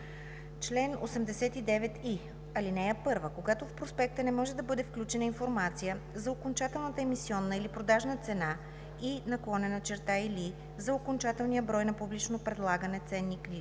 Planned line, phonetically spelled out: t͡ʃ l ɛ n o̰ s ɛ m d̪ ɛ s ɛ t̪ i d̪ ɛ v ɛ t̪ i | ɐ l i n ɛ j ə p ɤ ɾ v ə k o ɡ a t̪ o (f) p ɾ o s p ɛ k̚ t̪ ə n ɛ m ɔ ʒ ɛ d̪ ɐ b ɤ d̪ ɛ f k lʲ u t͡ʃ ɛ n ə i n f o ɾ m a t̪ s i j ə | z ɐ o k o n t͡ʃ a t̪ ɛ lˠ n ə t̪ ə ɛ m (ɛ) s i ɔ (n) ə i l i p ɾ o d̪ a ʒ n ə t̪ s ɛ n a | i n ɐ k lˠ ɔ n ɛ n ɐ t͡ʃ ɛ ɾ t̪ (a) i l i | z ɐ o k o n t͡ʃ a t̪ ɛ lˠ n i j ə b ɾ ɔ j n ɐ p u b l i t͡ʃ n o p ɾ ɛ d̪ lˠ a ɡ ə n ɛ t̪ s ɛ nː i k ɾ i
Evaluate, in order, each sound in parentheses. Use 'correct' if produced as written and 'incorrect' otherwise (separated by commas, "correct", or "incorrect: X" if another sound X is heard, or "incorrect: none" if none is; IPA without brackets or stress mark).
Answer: correct, incorrect: i, incorrect: nː, correct